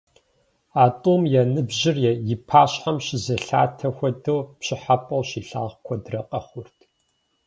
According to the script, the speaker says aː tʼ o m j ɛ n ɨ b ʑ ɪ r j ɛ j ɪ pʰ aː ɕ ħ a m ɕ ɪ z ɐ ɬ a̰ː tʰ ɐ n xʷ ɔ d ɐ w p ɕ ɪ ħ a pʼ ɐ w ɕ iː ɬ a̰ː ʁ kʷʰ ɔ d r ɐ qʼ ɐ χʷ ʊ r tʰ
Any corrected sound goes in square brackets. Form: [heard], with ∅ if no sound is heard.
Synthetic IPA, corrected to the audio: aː tʼ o m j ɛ n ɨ b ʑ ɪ r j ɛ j ɪ pʰ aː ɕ ħ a m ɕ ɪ z ɐ ɬ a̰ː tʰ ɐ [∅] xʷ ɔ d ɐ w p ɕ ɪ ħ a pʼ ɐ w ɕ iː ɬ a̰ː ʁ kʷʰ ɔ d r ɐ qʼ ɐ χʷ ʊ r tʰ